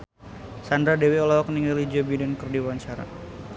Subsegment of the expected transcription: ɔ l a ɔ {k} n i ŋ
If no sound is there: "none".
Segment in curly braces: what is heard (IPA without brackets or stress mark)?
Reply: k